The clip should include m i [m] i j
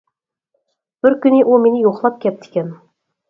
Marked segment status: incorrect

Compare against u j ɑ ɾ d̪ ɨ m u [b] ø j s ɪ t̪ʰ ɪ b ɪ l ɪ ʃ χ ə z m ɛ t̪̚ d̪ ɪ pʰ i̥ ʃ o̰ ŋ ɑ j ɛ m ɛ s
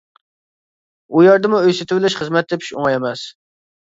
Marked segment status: incorrect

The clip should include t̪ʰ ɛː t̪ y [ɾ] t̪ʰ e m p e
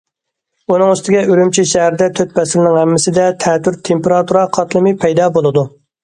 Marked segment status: correct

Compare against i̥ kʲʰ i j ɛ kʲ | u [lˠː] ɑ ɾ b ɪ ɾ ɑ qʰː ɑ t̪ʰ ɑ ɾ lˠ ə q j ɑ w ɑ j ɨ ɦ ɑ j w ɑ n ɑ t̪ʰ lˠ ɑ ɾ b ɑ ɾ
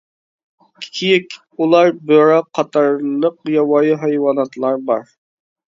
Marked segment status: incorrect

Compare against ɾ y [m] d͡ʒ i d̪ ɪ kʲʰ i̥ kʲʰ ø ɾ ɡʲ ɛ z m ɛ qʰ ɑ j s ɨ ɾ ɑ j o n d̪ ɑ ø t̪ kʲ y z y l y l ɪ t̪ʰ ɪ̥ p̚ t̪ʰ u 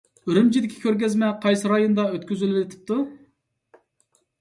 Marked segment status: correct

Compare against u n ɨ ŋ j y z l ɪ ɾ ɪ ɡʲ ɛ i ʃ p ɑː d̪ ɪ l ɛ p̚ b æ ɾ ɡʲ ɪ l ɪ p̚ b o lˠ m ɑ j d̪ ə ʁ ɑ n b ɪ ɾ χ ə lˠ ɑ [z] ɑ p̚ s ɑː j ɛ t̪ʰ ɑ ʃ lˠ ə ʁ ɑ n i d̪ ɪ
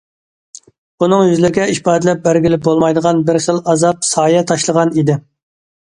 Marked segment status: correct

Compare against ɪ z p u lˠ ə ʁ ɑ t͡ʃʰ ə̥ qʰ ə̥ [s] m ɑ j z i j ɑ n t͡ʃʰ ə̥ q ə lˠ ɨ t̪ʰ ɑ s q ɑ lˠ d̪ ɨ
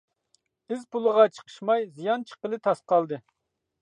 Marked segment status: incorrect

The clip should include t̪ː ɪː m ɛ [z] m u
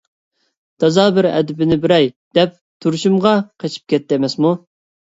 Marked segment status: incorrect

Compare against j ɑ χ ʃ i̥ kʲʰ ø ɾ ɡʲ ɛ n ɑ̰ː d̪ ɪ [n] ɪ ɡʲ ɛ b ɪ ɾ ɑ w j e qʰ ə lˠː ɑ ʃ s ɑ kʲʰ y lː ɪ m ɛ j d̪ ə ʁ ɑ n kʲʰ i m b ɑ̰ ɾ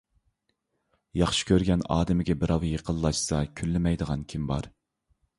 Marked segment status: incorrect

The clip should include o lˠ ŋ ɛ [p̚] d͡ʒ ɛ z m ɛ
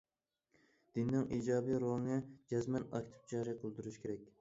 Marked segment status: incorrect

